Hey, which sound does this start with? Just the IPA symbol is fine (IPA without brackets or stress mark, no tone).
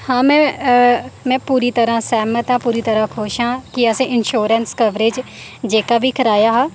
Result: h